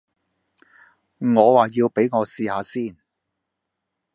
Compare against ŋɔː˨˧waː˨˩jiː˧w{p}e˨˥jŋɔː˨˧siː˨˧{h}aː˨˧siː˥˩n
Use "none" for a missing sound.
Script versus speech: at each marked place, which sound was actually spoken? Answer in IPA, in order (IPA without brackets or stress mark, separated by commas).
p, h